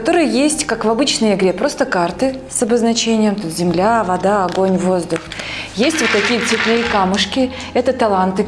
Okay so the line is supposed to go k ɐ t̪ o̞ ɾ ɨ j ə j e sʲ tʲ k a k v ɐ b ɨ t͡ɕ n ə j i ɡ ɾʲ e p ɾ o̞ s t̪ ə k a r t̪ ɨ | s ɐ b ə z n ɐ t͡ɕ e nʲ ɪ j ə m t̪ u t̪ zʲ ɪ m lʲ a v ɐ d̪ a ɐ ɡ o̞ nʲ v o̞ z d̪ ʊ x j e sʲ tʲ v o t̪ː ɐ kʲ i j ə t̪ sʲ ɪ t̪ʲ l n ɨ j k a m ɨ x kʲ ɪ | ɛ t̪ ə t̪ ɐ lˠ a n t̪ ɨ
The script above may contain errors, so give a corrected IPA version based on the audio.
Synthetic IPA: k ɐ t̪ o̞ ɾ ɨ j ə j e sʲ tʲ k a k v ɐ b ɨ t͡ɕ n ə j ɪ ɡ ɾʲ e p ɾ o̞ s t̪ ə k a r t̪ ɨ | s ɐ b ə z n ɐ t͡ɕ e nʲ ɪ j ə m t̪ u t̪ zʲ ɪ m lʲ a v ɐ d̪ a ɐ ɡ o̞ nʲ v o̞ z d̪ ʊ x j e sʲ tʲ v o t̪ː ɐ kʲ i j ə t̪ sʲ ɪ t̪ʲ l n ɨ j k a m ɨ ʂ kʲ ɪ | ɛ t̪ ə t̪ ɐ lˠ a n t̪ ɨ